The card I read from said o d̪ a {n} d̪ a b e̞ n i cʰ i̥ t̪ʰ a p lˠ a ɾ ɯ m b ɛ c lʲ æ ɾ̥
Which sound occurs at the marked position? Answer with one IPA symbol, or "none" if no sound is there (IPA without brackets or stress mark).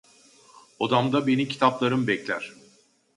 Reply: m